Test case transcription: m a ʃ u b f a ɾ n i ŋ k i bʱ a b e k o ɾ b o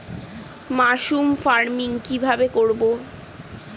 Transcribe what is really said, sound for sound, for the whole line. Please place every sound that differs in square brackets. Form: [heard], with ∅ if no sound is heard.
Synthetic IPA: m a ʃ u [m] f a ɾ [m] i ŋ k i bʱ a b e k o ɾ b o